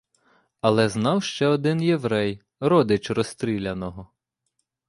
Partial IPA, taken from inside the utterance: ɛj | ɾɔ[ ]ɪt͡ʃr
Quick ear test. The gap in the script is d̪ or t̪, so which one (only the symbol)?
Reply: d̪